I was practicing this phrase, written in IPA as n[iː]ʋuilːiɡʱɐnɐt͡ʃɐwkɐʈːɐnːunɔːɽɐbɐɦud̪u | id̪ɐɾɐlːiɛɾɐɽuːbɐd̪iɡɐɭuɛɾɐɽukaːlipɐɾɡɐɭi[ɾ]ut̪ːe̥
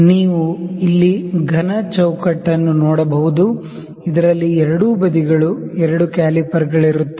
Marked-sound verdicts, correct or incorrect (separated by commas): correct, correct